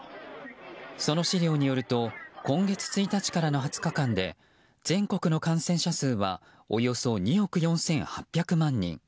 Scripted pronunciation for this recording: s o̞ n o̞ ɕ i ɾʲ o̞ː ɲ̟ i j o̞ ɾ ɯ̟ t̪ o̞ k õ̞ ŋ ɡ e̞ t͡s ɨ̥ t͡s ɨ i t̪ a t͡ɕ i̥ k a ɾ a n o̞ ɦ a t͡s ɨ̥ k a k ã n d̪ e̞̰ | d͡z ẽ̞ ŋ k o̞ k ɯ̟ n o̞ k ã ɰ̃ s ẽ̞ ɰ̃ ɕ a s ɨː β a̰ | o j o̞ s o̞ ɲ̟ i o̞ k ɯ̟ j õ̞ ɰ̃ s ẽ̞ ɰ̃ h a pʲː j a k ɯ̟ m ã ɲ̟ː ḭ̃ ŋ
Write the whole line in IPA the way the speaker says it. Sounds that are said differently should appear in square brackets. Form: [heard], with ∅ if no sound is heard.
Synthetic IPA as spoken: s o̞ n o̞ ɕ i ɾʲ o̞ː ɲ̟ i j o̞ ɾ ɯ̟ t̪ o̞ k õ̞ ŋ ɡ e̞ t͡s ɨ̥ t͡s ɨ i t̪ a t͡ɕ i̥ k a ɾ a n o̞ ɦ a t͡s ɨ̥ k a k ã n d̪ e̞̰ | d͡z ẽ̞ ŋ k o̞ k ɯ̟ n o̞ k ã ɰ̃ s ẽ̞ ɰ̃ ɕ a s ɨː β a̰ | o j o̞ s o̞ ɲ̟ i o̞ k ɯ̟ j õ̞ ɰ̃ s ẽ̞ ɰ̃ h a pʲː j a k ɯ̟ m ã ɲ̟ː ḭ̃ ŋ